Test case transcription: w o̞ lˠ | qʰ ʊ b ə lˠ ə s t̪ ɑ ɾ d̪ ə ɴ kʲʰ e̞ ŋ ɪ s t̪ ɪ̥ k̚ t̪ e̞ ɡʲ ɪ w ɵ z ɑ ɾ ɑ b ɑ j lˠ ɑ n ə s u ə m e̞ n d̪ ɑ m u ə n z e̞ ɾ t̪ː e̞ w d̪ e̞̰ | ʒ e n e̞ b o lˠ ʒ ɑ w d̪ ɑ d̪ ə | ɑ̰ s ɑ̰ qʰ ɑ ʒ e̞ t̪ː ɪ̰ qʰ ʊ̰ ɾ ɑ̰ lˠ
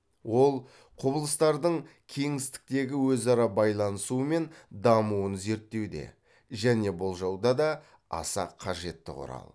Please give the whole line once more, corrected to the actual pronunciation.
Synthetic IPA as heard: w o̞ lˠ | qʰ ʊ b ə lˠ ə s t̪ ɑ ɾ d̪ ə ɴ kʲʰ e̞ ŋ ɪ s t̪ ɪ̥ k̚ t̪ e̞ ɡʲ ɪ w ɵ z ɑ ɾ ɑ b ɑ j lˠ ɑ n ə s u ə m e̞ n d̪ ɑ m u ə n z e̞ ɾ t̪ː e̞ w d̪ e̞̰ | ʒ æ n e̞ b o lˠ ʒ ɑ w d̪ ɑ d̪ ɑ | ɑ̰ s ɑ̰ qʰ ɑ ʒ e̞ t̪ː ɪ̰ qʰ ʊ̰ ɾ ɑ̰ lˠ